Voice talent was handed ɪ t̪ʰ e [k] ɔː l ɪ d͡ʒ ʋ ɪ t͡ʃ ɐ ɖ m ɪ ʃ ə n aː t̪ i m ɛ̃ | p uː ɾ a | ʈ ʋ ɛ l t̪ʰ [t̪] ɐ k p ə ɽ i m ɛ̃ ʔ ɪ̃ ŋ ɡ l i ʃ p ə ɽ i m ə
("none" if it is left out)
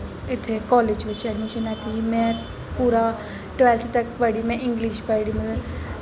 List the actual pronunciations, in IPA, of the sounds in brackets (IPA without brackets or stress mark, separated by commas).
k, t̪